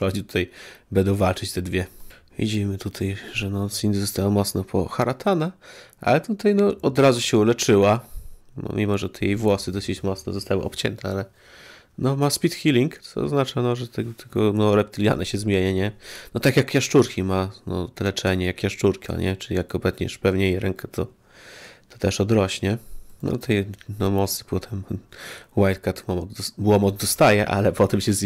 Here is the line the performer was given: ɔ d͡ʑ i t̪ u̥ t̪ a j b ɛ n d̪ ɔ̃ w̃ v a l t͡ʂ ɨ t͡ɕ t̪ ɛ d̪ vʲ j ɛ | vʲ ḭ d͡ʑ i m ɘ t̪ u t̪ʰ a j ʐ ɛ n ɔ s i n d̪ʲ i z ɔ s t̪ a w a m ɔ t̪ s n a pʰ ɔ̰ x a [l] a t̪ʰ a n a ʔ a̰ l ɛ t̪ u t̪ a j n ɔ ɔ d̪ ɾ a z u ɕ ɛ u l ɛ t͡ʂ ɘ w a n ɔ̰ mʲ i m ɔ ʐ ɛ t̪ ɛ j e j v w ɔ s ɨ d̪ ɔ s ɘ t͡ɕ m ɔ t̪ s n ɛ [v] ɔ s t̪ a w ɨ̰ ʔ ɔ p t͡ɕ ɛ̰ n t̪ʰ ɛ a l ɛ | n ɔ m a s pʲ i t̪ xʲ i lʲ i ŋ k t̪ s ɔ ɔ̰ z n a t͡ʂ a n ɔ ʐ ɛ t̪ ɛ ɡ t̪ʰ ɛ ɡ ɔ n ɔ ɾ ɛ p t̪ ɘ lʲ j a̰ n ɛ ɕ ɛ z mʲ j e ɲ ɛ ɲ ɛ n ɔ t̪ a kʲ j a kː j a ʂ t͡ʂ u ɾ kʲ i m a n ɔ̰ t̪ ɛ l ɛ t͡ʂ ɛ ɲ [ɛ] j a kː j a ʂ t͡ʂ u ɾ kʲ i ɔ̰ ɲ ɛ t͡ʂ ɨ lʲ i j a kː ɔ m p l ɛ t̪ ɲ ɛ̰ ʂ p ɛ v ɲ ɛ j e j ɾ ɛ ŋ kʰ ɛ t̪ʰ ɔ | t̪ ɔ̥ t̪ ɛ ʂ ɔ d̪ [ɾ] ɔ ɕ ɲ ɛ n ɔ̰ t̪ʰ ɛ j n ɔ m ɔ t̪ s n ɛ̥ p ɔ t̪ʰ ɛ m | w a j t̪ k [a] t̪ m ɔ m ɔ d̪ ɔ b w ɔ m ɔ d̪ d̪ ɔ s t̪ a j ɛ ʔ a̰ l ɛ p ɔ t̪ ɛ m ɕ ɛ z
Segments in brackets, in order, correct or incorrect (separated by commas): incorrect, incorrect, correct, correct, correct